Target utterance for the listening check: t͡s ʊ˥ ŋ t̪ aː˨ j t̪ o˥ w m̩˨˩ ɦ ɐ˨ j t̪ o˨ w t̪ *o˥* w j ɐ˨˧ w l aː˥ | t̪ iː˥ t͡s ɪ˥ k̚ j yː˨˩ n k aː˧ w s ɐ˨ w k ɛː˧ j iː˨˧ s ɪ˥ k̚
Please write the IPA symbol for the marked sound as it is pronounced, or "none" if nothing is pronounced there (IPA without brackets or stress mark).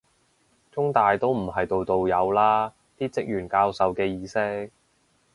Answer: o˨